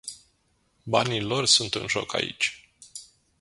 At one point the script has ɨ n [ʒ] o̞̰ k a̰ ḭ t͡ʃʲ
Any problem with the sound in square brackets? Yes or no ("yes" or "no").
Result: no